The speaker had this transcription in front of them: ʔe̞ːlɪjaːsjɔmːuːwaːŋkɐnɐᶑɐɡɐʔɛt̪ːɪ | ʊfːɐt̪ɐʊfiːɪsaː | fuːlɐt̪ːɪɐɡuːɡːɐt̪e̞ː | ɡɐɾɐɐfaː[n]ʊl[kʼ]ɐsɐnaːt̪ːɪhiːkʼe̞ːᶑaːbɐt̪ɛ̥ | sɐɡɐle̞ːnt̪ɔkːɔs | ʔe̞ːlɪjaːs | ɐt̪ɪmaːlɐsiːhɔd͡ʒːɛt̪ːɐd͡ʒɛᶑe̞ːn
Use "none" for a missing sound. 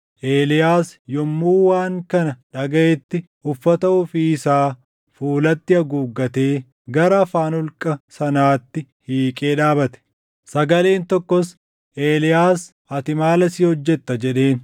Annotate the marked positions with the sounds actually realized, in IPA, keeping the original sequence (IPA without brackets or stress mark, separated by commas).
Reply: n, kʼ